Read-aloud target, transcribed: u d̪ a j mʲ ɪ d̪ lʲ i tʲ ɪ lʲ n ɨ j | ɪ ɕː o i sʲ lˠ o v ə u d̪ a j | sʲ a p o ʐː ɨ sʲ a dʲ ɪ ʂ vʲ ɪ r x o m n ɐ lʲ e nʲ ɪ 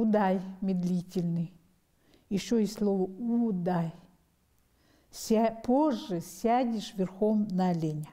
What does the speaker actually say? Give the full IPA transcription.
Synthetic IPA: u d̪ a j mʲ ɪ d̪ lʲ i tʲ ɪ lʲ n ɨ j | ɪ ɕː o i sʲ lˠ o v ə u d̪ a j | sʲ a p o ʐː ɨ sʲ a dʲ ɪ ʂ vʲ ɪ r x o m n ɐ lʲ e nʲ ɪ

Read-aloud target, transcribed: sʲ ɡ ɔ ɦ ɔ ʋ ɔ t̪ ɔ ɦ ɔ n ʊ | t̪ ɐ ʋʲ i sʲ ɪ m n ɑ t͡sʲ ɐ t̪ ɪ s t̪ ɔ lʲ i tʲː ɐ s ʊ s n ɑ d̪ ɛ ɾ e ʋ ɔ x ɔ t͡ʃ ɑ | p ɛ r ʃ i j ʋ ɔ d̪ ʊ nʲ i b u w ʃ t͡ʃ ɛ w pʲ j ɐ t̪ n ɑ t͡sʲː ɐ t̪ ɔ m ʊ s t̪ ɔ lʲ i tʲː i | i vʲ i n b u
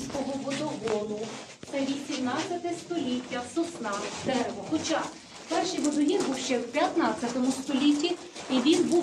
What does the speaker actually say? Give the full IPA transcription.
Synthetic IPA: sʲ k ɔ ɦ ɔ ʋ ɔ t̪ ɔ ɦ ɔ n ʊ | t̪ ɐ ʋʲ i sʲ i m n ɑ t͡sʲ ɐ t̪ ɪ s t̪ ɔ lʲ i tʲː ɐ s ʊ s n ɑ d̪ ɛ ɾ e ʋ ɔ x ɔ t͡ʃ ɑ | p ɛ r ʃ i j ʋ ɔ d̪ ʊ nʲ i b u w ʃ t͡ʃ ɛ w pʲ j ɐ t̪ n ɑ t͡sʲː ɐ t̪ ɔ m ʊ s t̪ ɔ lʲ i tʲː i | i ʋʲ i n b u

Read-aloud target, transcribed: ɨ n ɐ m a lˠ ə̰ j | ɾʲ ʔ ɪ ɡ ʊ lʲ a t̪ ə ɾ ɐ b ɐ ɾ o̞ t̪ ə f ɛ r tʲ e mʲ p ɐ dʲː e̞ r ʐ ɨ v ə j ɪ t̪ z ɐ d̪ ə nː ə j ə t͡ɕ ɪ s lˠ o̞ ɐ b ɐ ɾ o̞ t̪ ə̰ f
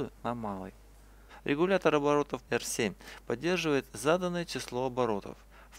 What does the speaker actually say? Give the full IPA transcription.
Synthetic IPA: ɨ n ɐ m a lˠ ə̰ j | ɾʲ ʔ ɪ ɡ ʊ lʲ a t̪ ə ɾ ɐ b ɐ ɾ o̞ t̪ ə f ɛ r sʲ e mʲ p ɐ dʲː e̞ r ʐ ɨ v ə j ɪ t̪ z a d̪ ə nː ə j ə t͡ɕ ɪ s lˠ o̞ ɐ b ɐ ɾ o̞ t̪ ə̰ f

